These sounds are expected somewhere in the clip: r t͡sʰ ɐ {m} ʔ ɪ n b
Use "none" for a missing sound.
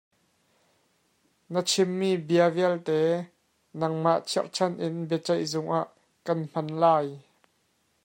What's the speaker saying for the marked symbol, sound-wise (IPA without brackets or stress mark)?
n